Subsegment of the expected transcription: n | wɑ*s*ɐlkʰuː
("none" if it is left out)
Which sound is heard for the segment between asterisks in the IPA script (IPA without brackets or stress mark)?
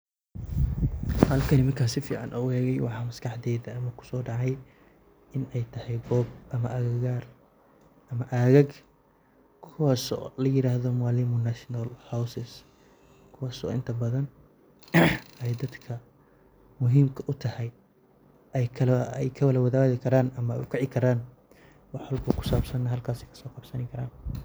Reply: ħ